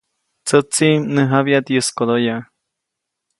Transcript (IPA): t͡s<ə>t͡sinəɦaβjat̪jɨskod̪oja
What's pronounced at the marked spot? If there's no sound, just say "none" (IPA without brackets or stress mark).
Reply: ə